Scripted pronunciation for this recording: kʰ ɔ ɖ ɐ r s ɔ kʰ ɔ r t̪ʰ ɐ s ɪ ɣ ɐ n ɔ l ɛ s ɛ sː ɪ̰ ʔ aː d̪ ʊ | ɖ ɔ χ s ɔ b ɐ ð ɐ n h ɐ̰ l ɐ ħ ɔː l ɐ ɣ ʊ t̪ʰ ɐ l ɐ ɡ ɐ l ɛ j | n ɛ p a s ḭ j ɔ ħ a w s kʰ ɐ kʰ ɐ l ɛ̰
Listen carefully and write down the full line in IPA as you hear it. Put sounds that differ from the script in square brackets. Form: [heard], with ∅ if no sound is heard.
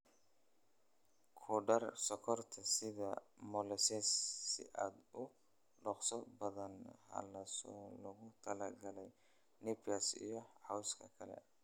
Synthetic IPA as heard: kʰ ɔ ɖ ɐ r s ɔ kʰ ɔ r t̪ʰ ɐ s ɪ [ð] ɐ [m] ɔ l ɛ s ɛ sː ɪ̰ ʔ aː d̪ ʊ | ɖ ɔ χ s ɔ b ɐ ð ɐ n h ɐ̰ l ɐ [s] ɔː l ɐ ɣ ʊ t̪ʰ ɐ l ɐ ɡ ɐ l ɛ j | n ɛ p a s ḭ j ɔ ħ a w s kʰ ɐ kʰ ɐ l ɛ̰